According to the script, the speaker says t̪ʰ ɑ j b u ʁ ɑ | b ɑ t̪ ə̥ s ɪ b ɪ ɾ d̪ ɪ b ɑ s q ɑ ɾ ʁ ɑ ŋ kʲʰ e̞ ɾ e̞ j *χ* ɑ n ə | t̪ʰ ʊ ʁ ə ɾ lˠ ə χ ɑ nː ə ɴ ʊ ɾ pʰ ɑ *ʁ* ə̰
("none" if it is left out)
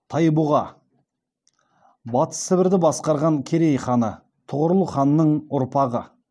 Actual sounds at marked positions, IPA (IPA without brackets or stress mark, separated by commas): χ, ʁ